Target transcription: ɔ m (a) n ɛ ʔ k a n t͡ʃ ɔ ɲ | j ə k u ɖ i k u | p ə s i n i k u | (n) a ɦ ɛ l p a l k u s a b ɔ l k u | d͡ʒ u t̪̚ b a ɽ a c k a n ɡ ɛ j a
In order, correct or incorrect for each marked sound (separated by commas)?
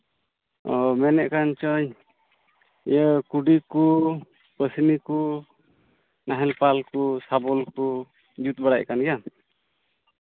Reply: incorrect, correct